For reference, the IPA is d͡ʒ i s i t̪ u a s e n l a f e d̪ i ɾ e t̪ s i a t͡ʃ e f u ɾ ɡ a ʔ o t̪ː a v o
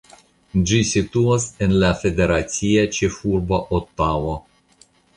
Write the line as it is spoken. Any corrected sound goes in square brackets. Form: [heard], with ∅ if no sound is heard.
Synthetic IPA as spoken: d͡ʒ i s i t̪ u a s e n l a f e d̪ [e] ɾ [a] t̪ s i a t͡ʃ e f u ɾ [b] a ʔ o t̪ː a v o